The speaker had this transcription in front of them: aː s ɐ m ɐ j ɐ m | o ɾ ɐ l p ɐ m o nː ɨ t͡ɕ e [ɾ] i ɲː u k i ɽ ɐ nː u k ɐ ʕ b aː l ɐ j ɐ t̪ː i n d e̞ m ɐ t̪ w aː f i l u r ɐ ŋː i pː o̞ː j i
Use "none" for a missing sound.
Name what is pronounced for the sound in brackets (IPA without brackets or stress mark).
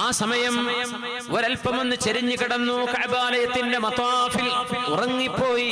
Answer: ɾ